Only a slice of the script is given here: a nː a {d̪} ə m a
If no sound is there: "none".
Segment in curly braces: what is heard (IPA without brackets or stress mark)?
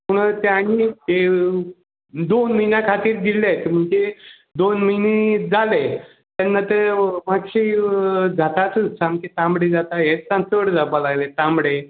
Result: t̪